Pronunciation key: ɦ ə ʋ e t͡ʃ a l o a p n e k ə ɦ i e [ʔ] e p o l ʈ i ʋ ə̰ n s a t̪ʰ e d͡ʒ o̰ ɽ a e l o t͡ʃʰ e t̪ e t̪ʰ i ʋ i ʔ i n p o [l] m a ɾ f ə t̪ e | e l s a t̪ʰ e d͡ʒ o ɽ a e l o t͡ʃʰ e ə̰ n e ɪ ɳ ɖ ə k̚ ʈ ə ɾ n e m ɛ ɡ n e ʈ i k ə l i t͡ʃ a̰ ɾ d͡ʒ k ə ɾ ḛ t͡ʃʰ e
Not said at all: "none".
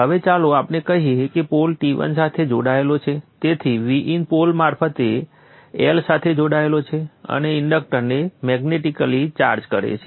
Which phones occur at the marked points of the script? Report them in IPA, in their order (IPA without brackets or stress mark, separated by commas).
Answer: k, l